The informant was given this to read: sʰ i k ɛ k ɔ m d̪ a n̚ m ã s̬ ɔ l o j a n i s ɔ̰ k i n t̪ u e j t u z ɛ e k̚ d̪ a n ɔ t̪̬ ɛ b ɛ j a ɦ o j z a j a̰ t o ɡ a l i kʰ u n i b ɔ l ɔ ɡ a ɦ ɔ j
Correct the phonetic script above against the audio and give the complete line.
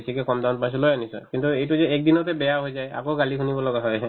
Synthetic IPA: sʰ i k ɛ k ɔ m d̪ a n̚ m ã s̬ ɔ l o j a n i s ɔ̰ k i n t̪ u e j t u z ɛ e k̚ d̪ i n ɔ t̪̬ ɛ b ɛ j a ɦ o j z a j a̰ k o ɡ a l i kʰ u n i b ɔ l ɔ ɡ a ɦ ɔ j